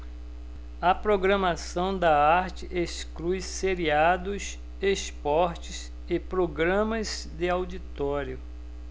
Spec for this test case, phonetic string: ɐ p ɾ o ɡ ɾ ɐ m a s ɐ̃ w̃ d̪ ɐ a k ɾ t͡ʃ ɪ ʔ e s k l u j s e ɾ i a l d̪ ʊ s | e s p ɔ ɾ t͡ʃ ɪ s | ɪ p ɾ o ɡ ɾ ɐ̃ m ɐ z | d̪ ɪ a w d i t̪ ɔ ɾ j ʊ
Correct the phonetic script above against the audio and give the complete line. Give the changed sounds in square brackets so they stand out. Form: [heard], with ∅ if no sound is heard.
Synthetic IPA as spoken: ɐ p ɾ o ɡ ɾ ɐ m a s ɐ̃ w̃ d̪ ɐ a [∅] ɾ t͡ʃ ɪ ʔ e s k l u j s e ɾ i a [∅] d̪ ʊ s | e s p ɔ ɾ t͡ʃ ɪ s | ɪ p ɾ o ɡ ɾ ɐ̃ m ɐ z | d̪ ɪ a w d i t̪ ɔ ɾ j ʊ